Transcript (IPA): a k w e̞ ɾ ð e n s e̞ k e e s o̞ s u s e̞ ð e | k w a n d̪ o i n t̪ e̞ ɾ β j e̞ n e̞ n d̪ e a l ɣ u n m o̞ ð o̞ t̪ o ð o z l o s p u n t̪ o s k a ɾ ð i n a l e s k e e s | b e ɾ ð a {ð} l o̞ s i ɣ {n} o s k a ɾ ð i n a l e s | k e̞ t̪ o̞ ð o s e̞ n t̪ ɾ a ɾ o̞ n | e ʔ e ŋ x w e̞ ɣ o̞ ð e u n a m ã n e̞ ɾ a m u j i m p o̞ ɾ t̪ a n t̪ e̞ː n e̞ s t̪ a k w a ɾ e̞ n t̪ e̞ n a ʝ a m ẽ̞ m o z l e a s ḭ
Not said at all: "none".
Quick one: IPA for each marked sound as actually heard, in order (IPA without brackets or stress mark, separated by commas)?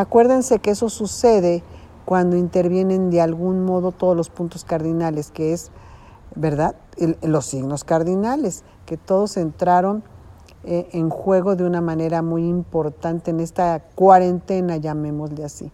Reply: ð, n